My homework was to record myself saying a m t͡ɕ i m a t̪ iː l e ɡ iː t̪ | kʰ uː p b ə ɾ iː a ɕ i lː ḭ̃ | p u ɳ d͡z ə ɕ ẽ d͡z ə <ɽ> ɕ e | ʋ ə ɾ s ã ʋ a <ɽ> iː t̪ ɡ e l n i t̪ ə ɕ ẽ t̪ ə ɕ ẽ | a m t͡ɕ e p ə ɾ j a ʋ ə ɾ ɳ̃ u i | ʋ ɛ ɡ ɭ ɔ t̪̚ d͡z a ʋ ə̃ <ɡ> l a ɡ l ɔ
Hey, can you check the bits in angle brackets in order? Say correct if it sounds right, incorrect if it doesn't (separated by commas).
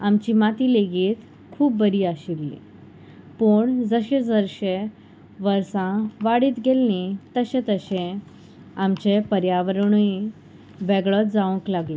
incorrect, correct, incorrect